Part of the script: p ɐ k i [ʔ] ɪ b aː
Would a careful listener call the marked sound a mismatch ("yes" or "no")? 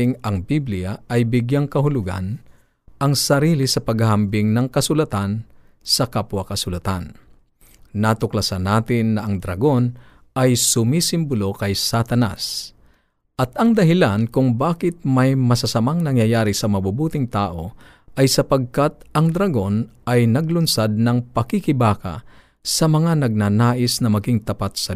yes